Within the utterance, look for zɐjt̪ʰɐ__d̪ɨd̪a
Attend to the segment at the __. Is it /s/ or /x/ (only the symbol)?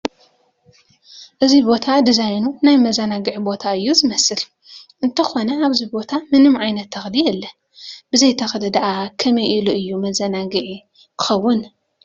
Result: x